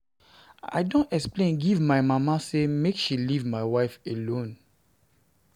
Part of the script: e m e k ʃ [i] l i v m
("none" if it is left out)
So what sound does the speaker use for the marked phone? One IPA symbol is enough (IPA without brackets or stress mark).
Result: i